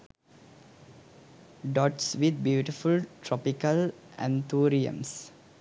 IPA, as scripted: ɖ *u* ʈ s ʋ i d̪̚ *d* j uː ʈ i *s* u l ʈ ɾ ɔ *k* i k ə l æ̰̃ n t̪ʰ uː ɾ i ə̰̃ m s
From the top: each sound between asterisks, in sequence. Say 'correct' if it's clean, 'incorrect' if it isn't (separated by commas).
incorrect, incorrect, incorrect, incorrect